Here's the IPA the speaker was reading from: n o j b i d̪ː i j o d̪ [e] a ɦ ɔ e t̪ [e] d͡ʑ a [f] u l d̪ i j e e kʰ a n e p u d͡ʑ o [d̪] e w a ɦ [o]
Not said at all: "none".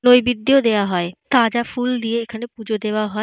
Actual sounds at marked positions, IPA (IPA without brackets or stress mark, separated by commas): e, a, f, d̪, ɔ